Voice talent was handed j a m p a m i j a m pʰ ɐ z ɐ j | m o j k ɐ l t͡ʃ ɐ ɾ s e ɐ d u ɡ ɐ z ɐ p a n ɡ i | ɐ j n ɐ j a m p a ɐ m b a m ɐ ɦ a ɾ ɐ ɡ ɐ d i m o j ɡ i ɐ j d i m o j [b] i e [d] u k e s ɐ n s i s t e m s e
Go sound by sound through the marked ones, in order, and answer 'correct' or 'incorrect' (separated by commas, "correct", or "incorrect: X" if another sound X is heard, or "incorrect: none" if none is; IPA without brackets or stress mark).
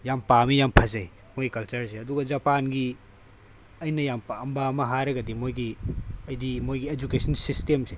incorrect: ɡ, incorrect: d͡ʒ